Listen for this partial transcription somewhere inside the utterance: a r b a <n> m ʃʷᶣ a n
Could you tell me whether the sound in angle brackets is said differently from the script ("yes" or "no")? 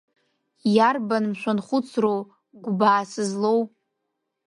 no